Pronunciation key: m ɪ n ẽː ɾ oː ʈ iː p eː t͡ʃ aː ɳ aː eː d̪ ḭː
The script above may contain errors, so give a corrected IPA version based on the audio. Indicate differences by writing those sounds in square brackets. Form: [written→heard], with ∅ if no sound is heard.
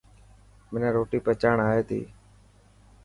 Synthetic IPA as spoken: m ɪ n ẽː ɾ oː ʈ iː p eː t͡ʃ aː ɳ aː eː [d̪→t̪] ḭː